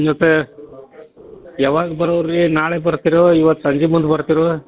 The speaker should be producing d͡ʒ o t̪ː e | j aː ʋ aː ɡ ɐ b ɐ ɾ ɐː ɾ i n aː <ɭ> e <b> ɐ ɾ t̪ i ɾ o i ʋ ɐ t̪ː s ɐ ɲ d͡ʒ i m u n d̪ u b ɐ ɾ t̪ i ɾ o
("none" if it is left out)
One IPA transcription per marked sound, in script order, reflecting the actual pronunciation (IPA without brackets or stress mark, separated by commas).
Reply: ɭ, b